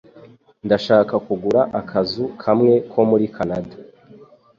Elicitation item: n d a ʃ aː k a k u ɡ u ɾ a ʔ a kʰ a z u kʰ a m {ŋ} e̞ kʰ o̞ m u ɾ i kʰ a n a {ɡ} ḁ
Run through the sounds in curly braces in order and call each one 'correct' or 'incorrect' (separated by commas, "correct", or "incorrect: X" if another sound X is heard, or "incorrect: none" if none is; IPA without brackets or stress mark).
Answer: correct, incorrect: d